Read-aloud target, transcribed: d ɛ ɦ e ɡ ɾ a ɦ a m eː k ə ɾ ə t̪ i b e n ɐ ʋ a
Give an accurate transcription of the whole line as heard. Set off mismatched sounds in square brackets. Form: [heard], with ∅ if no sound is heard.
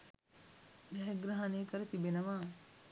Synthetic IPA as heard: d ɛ ɦ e ɡ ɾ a ɦ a [n] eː k ə ɾ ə t̪ i b e n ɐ ʋ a